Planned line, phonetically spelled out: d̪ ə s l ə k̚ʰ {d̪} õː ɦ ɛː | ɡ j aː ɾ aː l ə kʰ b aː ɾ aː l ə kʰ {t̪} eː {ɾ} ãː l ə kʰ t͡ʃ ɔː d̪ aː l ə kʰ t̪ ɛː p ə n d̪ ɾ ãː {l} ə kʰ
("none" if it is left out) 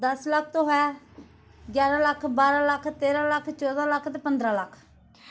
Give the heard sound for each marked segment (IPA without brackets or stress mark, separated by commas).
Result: t̪, t̪, ɾ, l